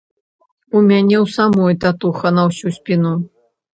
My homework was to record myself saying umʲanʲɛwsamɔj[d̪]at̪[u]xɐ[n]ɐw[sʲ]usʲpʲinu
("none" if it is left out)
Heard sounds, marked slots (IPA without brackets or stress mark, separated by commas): t̪, u, n, sʲ